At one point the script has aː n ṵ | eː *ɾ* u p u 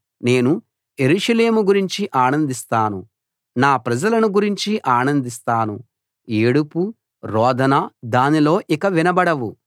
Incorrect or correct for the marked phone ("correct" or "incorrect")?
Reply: incorrect